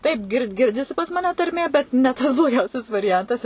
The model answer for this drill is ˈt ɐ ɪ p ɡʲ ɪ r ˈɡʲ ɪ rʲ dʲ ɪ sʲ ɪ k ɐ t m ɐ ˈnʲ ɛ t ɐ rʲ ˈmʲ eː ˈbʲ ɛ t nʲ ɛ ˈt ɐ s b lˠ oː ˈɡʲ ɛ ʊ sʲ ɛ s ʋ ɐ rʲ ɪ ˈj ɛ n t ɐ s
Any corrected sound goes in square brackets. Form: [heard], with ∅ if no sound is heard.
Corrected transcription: ˈt ɐ ɪ p ɡʲ ɪ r ˈɡʲ ɪ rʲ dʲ ɪ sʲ ɪ [p] ɐ [s] m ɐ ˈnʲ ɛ t ɐ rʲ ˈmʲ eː ˈbʲ ɛ t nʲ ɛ ˈt ɐ s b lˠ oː ˈɡʲ ɛ ʊ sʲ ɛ s ʋ ɐ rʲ ɪ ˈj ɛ n t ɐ s